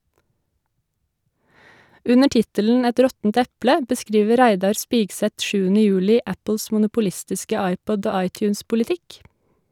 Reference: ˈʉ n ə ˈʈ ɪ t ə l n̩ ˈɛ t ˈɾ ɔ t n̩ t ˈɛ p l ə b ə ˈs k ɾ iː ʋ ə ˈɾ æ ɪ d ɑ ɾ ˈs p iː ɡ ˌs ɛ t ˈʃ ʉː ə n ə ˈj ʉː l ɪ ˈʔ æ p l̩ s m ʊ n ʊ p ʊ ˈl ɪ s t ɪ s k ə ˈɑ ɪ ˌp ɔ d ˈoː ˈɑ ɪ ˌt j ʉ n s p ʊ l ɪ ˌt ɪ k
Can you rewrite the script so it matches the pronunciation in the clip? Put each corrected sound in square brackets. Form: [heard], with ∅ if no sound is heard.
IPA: ˈʉ n ə ˈʈ ɪ t ə l n̩ ˈɛ t ˈɾ ɔ t n̩ t ˈɛ p l ə b ə ˈs k ɾ iː ʋ ə ˈɾ æ ɪ d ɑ ɾ ˈs p iː ɡ ˌs ɛ t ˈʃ ʉː ə n ə ˈj ʉː l ɪ ˈʔ æ p l̩ s m ʊ n ʊ p ʊ ˈl ɪ s t ɪ s k ə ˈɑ ɪ ˌp ɔ d ˈoː ˈɑ ɪ ˌt j [ʉː] n s p ʊ l ɪ ˌt ɪ k